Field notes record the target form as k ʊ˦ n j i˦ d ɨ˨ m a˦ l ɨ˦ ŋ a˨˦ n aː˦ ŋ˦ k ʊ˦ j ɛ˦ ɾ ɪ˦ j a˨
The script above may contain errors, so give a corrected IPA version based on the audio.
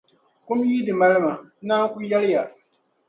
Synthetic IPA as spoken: k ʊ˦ m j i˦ d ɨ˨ m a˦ l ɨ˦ m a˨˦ n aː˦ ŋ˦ k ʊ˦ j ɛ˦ l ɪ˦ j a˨